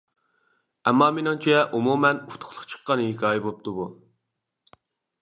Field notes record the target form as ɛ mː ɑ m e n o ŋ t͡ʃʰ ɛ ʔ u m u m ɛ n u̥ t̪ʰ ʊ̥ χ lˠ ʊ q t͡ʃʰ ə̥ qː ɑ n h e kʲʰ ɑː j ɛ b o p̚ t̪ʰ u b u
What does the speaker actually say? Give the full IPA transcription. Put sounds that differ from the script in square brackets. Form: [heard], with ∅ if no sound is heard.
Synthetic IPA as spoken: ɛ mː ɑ m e n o ŋ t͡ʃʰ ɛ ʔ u m u m ɛ n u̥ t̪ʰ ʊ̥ χ lˠ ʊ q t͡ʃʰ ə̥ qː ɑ n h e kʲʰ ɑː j ɛ b o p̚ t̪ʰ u b u